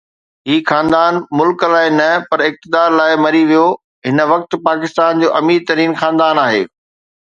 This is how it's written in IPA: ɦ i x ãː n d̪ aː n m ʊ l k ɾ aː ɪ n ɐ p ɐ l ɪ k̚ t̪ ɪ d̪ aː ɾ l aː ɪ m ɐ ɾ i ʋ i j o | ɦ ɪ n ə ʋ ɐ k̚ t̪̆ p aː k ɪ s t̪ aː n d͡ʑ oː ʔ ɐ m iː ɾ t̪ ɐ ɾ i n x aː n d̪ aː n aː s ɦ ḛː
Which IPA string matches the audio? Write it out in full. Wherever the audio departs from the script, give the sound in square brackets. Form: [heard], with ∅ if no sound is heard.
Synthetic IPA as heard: ɦ [iː] x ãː n d̪ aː n m ʊ l k [l] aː ɪ n ɐ p ɐ [ɾ] ɪ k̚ t̪ ɪ d̪ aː ɾ l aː ɪ m ɐ ɾ i ʋ i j o | ɦ ɪ n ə ʋ ɐ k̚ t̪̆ p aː k ɪ s t̪ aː n d͡ʑ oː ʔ ɐ m iː ɾ t̪ ɐ ɾ [iː] n x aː n d̪ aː n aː [∅] ɦ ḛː